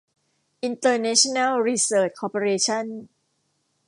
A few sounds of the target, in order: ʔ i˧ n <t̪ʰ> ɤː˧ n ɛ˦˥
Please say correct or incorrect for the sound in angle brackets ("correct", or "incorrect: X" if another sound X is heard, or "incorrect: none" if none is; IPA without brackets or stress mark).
incorrect: t̪